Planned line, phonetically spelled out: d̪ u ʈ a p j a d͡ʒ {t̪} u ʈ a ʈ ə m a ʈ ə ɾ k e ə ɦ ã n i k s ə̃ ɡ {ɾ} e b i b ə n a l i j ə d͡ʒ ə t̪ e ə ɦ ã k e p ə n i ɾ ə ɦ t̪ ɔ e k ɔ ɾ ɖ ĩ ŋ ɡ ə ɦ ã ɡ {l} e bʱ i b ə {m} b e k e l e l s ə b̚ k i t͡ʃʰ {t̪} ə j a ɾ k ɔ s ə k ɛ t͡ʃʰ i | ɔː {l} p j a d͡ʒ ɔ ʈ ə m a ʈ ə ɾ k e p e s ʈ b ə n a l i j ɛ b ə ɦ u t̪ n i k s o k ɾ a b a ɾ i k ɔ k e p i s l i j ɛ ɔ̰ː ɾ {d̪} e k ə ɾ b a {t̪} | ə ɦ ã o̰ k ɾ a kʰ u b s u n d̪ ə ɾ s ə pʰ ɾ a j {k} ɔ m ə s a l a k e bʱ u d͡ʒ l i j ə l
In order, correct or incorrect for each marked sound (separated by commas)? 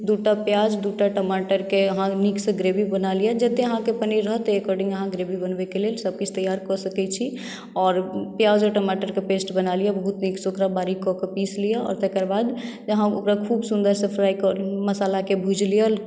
incorrect, correct, incorrect, incorrect, correct, incorrect, incorrect, incorrect, correct